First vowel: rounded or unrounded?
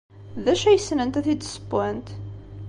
unrounded